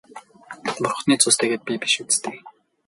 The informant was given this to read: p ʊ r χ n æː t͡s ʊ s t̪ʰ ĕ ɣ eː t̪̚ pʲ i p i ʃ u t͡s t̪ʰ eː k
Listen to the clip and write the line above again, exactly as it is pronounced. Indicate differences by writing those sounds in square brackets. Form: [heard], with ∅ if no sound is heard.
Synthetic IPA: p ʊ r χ n [iː] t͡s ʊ s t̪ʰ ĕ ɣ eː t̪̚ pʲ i p i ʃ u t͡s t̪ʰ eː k